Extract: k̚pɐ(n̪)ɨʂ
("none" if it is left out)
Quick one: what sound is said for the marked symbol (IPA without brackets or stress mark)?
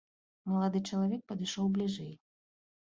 d̪